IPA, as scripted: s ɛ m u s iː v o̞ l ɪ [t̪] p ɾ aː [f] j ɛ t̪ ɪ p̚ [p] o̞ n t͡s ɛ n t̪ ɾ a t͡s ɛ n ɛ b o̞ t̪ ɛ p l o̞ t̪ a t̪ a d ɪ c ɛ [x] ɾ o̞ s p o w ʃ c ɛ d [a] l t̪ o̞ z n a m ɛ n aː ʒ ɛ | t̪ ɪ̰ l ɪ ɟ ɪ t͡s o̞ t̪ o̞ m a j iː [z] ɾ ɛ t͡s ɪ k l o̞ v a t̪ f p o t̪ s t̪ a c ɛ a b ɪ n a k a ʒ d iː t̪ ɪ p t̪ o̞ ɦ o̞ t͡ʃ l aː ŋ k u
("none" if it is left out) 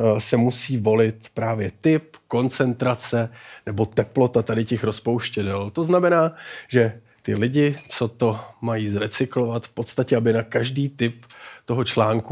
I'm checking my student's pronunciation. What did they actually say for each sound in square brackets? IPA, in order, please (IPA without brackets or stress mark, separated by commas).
t̪, v, k, x, ɛ, z